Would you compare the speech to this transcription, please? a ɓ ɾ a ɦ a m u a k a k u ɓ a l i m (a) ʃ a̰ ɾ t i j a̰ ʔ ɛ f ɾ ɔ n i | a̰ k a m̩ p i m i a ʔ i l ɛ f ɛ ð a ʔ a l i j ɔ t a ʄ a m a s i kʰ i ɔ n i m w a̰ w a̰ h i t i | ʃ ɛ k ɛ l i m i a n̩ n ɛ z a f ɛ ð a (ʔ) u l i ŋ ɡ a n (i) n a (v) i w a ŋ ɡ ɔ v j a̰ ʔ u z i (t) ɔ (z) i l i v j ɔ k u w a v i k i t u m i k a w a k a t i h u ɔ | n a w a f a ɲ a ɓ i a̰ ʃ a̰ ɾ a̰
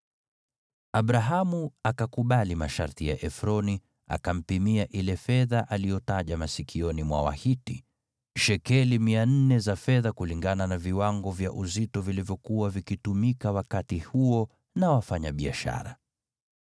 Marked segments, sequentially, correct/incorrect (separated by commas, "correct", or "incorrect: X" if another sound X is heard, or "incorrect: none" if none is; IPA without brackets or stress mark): correct, incorrect: k, incorrect: a, correct, correct, incorrect: v